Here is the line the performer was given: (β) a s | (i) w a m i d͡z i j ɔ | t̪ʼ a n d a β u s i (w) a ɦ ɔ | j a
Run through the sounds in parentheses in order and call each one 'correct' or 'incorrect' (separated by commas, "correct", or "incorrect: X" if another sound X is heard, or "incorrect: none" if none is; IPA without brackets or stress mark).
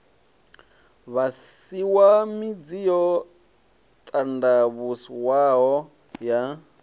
correct, correct, correct